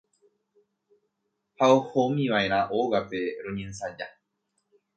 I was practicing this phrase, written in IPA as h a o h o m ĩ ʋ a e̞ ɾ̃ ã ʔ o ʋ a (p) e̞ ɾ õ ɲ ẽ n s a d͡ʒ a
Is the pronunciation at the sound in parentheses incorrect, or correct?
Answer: correct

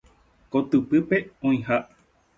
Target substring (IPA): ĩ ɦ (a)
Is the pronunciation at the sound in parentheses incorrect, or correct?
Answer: correct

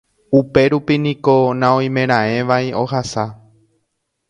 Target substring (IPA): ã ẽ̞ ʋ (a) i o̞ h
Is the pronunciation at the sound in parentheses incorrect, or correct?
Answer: correct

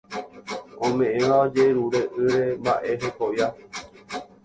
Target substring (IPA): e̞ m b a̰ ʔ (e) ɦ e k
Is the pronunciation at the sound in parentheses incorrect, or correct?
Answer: correct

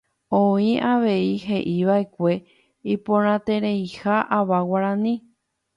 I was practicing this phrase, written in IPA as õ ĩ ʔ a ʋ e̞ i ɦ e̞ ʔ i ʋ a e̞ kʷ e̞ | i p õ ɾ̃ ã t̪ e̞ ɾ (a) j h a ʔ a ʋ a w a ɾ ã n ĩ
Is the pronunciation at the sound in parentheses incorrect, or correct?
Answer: incorrect: e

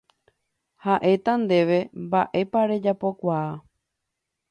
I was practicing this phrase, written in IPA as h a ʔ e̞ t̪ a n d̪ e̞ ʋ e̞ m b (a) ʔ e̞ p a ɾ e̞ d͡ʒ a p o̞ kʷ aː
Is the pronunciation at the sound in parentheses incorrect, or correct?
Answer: correct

